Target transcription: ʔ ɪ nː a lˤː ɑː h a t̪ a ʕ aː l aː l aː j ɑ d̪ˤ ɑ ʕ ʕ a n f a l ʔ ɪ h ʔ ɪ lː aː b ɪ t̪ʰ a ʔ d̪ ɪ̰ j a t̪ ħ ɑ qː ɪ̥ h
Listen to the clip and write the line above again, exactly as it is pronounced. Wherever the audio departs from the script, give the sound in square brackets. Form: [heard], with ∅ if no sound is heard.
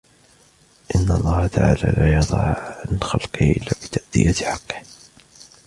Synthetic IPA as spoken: ʔ ɪ nː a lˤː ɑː h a t̪ a ʕ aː l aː l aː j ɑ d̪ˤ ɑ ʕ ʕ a n [x] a l [q] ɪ h ʔ ɪ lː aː b ɪ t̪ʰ a ʔ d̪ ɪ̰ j a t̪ ħ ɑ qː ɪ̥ h